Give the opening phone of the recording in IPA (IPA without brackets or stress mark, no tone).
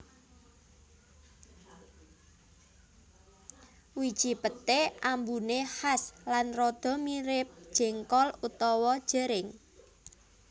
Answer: w